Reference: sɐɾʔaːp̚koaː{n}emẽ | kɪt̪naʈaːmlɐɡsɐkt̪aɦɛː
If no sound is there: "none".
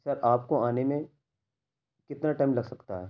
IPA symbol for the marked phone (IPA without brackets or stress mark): n